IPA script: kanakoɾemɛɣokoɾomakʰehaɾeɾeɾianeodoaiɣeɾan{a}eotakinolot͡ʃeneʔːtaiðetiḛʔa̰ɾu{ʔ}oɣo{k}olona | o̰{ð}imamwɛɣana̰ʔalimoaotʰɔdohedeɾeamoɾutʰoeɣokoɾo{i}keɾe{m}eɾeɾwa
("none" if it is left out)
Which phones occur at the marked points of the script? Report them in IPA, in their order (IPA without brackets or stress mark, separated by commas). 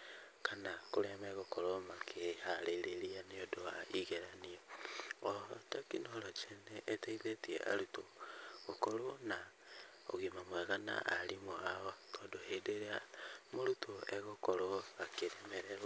i, t, k, ɣ, a, m